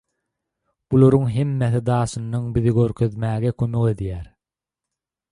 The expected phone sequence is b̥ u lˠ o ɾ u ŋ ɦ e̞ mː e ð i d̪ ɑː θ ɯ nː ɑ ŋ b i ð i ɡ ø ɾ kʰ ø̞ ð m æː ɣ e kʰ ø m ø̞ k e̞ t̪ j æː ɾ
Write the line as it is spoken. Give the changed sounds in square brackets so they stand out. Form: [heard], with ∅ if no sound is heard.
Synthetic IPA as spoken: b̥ u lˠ o ɾ u ŋ ɦ e̞ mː e [θ] i d̪ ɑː [ʃ] ɯ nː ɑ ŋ b i ð i ɡ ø ɾ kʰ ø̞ ð m æː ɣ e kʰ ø m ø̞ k e̞ [d̪] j æː ɾ